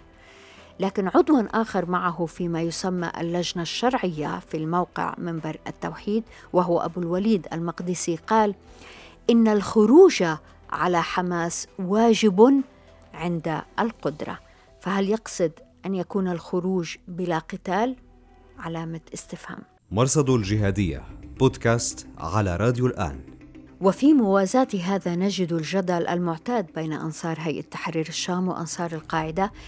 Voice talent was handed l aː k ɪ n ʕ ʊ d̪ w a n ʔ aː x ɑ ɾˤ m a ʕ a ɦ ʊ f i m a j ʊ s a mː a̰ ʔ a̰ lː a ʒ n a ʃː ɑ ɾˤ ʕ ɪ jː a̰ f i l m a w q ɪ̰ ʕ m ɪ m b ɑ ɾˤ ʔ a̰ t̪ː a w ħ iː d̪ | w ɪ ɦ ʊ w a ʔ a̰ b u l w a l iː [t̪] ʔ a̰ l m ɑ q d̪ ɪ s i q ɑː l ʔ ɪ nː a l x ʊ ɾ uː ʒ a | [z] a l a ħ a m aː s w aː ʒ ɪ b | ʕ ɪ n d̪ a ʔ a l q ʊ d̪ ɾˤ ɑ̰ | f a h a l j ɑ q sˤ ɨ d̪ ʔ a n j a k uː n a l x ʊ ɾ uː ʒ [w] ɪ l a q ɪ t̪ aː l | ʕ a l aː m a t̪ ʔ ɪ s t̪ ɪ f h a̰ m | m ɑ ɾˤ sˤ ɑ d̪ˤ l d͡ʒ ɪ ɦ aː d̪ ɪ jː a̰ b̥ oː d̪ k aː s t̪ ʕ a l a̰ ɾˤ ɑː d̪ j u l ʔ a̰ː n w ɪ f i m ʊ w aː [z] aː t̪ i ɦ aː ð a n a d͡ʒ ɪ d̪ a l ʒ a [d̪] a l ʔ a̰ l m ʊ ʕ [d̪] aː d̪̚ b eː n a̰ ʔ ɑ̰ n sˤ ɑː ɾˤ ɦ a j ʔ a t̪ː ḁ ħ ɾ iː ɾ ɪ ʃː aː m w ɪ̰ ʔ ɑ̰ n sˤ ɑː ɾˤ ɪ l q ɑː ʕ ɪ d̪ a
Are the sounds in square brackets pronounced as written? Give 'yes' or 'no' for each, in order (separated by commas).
no, no, no, yes, yes, no